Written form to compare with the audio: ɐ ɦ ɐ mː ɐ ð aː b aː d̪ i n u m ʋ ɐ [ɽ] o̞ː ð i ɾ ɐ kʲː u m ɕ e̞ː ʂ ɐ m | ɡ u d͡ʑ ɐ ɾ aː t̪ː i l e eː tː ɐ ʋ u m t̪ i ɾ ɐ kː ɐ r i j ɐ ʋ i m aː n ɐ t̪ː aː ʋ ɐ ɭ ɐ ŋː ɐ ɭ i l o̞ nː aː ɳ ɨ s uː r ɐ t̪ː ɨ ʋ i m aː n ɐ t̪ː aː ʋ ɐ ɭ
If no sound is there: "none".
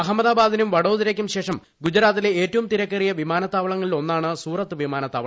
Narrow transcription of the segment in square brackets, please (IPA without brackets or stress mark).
ɽ